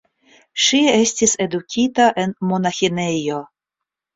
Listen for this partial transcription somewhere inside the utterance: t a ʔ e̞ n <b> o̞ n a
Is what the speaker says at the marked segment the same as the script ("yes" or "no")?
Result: no